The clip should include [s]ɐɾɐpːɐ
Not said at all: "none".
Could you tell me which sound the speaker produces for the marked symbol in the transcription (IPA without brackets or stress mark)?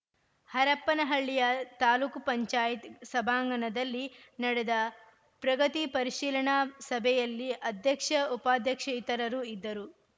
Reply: h